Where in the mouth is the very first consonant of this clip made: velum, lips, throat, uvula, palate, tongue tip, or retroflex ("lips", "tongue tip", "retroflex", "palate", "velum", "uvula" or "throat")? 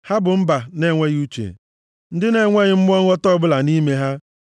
throat